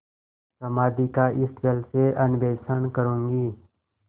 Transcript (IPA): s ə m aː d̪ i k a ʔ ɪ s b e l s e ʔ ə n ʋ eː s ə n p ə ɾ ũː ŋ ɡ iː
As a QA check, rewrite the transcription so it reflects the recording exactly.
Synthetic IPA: s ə m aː d̪ i k a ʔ ɪ s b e l s e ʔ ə n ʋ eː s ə n k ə ɾ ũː ŋ ɡ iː